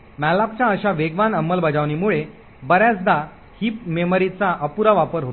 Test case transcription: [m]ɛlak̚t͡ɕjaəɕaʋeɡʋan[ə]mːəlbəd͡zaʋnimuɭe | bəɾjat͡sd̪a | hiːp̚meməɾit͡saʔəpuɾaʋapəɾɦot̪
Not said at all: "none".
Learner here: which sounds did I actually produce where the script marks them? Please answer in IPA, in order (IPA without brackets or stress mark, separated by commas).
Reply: m, ə